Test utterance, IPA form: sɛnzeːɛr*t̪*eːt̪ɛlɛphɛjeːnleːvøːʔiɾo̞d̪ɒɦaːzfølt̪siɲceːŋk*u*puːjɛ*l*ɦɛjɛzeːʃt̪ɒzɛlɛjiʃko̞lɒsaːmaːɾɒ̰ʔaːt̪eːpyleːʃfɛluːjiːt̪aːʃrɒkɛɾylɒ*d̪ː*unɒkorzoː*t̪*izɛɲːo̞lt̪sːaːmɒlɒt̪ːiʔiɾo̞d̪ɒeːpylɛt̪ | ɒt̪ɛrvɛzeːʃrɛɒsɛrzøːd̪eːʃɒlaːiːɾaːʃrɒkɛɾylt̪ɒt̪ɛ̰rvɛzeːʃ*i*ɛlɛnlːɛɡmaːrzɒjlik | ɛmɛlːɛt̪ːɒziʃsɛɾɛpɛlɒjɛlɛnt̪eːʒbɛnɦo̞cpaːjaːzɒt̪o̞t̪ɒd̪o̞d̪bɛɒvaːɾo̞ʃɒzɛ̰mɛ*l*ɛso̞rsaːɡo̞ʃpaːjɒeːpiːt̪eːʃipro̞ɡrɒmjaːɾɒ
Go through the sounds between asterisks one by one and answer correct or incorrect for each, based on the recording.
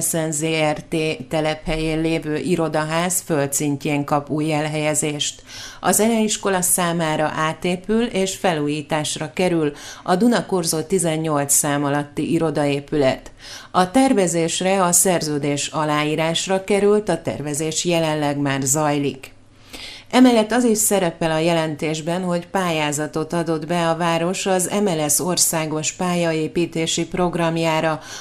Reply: correct, incorrect, correct, incorrect, correct, incorrect, correct

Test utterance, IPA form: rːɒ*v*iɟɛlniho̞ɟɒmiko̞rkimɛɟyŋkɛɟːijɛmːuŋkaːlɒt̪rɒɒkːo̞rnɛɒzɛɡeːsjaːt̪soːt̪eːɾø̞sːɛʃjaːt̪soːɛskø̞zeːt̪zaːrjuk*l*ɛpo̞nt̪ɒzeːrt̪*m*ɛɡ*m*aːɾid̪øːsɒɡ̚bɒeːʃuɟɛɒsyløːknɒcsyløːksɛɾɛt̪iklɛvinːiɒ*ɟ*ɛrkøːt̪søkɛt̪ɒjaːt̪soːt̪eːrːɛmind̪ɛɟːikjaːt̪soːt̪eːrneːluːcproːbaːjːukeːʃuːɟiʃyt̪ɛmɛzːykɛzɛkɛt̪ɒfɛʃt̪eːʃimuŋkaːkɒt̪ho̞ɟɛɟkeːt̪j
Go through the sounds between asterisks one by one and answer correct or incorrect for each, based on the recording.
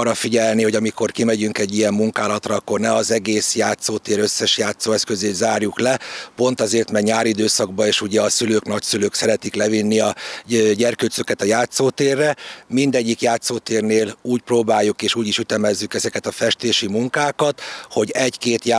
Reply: incorrect, correct, correct, incorrect, correct

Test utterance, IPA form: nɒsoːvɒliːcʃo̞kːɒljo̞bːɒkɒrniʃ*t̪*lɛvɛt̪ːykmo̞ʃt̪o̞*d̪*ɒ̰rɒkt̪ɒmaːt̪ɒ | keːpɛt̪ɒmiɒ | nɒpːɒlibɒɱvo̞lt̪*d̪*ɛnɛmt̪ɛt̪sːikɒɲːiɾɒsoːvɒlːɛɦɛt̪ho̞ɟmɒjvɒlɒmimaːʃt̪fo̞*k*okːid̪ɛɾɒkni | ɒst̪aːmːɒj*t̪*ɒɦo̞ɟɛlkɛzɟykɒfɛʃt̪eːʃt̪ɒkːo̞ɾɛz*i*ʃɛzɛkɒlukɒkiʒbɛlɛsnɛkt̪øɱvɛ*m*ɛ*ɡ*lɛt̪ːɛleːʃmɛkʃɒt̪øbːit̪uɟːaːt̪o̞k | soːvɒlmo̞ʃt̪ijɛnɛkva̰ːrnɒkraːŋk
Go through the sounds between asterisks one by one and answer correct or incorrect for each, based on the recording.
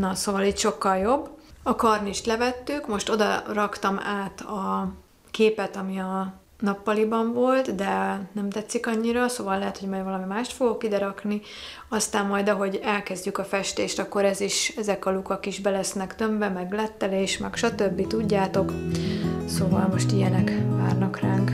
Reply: correct, correct, correct, incorrect, incorrect, correct, correct, correct

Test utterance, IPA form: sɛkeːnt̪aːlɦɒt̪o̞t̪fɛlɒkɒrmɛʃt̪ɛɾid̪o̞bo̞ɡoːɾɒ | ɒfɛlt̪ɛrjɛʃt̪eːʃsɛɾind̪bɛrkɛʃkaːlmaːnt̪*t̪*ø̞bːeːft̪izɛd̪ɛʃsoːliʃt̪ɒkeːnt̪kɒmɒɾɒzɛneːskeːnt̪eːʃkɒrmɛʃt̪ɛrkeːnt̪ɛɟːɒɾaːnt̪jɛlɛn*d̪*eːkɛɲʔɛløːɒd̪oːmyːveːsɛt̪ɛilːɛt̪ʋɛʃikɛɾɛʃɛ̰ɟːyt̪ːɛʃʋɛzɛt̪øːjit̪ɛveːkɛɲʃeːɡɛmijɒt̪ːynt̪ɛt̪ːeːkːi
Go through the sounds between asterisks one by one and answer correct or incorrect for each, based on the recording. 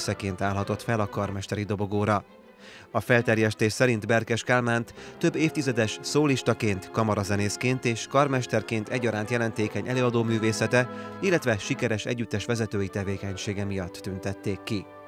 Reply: correct, incorrect

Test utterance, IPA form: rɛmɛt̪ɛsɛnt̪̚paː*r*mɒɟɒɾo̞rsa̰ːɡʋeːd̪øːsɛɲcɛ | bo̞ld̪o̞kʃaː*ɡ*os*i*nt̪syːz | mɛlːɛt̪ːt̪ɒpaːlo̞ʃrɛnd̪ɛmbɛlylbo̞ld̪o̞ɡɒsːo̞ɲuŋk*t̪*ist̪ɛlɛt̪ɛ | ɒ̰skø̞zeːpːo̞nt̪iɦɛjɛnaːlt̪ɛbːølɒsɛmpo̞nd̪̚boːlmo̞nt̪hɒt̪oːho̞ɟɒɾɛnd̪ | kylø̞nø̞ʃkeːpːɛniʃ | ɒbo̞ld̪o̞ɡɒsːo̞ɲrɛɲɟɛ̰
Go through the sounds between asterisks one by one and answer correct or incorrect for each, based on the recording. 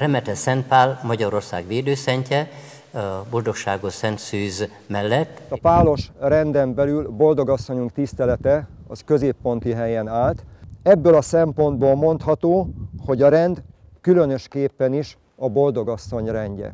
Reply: incorrect, correct, incorrect, correct

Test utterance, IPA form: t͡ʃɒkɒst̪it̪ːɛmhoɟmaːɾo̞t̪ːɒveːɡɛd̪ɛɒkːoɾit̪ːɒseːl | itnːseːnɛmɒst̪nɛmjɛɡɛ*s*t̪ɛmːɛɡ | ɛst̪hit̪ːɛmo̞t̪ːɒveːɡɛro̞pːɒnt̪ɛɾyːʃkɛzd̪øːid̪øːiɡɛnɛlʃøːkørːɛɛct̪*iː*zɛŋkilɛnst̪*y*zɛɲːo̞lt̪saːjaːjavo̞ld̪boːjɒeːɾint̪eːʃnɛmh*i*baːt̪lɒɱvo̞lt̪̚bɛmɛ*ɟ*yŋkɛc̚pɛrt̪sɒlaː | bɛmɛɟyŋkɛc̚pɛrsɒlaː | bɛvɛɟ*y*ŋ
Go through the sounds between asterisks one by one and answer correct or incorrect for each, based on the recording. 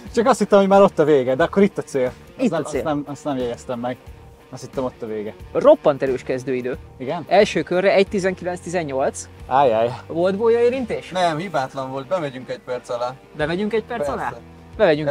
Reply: correct, incorrect, incorrect, correct, correct, correct

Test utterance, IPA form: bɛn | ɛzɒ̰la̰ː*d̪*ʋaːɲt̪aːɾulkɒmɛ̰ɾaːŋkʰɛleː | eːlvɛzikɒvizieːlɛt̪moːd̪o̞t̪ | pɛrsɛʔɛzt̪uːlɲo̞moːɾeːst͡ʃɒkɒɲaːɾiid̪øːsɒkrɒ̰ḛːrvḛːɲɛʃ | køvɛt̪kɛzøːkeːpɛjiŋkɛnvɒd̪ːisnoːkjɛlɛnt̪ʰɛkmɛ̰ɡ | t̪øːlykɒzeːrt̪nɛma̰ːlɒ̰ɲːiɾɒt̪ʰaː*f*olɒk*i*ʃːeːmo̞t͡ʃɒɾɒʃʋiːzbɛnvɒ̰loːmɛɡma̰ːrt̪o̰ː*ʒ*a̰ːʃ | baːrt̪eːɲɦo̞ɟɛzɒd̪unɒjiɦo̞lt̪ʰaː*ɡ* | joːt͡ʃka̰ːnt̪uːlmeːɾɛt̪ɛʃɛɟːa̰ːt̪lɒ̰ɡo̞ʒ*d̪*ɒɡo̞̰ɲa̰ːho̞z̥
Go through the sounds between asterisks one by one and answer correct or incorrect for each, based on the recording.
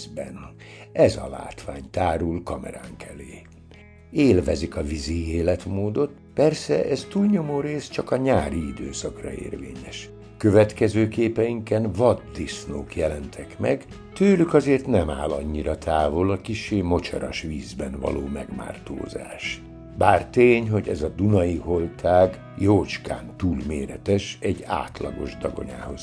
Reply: incorrect, incorrect, correct, incorrect, correct, correct

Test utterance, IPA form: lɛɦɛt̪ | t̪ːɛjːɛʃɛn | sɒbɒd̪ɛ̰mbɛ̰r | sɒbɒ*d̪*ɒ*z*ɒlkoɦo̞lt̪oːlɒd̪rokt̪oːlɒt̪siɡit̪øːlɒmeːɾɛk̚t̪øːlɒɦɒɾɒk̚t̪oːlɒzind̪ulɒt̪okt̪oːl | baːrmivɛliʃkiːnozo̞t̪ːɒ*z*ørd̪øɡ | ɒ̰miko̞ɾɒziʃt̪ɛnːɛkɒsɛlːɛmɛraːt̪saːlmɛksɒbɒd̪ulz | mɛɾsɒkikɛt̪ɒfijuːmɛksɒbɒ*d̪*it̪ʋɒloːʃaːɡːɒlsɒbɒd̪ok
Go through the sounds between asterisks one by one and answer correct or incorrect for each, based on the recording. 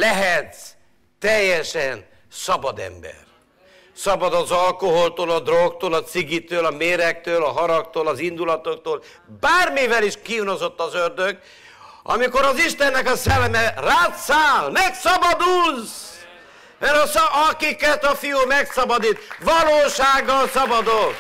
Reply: correct, correct, correct, correct

